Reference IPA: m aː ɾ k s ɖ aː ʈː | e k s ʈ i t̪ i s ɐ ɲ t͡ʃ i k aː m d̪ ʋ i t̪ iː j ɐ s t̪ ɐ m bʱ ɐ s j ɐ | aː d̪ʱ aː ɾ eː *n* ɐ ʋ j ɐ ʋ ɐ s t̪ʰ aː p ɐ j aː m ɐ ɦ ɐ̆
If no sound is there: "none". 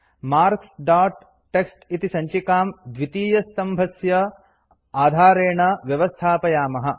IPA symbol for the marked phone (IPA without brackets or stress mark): ɳ